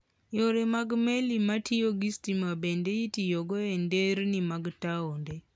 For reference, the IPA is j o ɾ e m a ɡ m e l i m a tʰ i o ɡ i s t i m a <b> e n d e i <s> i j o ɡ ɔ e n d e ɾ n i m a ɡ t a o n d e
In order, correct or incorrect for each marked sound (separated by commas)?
correct, incorrect